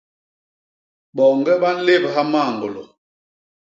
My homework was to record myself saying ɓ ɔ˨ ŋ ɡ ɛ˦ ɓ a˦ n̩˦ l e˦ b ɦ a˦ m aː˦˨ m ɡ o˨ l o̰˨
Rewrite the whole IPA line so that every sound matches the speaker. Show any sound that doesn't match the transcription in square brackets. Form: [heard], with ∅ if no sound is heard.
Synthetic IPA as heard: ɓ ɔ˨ ŋ ɡ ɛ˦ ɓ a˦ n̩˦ l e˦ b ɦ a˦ m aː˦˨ [ŋ] ɡ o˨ l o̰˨